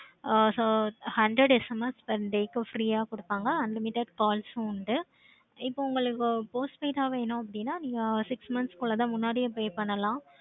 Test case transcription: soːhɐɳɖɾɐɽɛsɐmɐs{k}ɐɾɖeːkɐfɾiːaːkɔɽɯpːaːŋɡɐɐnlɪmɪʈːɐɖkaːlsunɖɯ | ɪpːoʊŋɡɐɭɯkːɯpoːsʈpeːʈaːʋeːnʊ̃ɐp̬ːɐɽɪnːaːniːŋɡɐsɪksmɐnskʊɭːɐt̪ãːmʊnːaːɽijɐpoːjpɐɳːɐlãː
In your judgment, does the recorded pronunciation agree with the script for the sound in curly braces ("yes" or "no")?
no